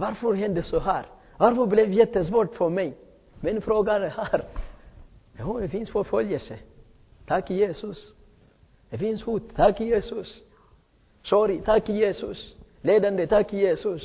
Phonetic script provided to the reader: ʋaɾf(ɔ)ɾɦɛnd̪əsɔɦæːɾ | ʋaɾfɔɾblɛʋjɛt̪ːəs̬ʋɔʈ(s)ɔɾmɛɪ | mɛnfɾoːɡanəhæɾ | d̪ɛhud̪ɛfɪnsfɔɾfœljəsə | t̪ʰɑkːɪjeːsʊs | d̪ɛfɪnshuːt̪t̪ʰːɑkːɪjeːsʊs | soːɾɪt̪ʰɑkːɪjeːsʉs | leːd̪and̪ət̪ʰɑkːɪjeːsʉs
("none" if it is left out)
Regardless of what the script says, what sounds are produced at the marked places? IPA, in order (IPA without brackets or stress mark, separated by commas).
ɔ, f